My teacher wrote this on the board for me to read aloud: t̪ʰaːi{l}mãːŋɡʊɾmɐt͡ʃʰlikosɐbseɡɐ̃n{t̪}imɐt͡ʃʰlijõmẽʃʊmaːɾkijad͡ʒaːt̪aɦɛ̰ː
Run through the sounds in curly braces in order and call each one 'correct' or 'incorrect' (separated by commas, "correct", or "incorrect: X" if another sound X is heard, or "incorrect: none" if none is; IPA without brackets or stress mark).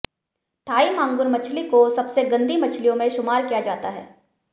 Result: incorrect: none, incorrect: d̪